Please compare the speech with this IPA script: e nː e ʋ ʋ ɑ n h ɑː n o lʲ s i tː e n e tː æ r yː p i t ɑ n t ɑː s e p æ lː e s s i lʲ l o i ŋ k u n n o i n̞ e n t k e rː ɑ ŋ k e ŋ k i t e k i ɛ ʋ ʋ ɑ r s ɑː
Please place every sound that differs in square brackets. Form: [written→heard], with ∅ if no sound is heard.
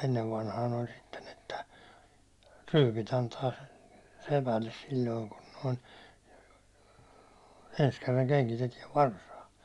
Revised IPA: e nː e ʋ ʋ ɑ n h ɑː n o lʲ s i tː e n e tː æ r yː p i t ɑ n t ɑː s e p æ lː e s s i lʲ l o i ŋ k u n n o i n̞ e n [t→s] k e rː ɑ ŋ k e ŋ k i t e [k→t] i ɛ ʋ ʋ ɑ r s ɑː